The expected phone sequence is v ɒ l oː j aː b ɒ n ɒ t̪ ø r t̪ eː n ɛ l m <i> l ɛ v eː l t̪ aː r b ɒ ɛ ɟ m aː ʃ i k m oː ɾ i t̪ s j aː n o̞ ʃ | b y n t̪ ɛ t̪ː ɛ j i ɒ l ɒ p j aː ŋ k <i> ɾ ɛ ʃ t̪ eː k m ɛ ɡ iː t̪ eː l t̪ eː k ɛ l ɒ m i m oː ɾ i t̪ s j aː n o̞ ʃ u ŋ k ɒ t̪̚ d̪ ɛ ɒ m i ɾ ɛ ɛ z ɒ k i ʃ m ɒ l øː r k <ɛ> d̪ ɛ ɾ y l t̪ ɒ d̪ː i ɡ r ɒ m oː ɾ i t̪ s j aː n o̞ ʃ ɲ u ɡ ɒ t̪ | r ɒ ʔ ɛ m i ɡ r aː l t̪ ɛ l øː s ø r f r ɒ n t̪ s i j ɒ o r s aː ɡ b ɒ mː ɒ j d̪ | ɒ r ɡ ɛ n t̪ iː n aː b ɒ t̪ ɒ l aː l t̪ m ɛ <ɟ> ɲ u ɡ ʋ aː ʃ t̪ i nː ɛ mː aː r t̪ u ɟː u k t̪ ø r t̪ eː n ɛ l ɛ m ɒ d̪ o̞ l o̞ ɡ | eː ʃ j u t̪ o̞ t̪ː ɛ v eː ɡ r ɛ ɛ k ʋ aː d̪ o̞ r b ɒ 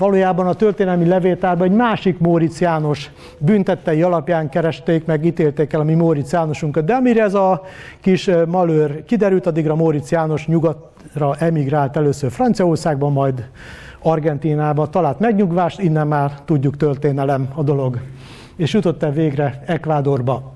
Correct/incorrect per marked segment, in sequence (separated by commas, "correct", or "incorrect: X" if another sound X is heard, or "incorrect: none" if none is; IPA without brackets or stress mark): correct, incorrect: ɛ, incorrect: i, incorrect: ɡ